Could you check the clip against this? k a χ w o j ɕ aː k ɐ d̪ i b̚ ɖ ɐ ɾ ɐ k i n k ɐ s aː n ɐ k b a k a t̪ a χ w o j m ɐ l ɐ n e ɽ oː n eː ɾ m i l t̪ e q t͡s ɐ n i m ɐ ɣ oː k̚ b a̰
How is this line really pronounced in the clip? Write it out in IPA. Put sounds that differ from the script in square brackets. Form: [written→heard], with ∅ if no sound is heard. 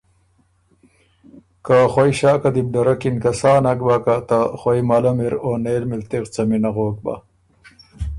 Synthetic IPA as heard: k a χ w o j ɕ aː k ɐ d̪ i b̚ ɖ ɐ ɾ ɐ k i n k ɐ s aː n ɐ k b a k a t̪ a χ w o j m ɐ l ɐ [n→m] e [ɽ→ɾ] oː n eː [ɾ→l] m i l t̪ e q t͡s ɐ [n→m] i [m→n] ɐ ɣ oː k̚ b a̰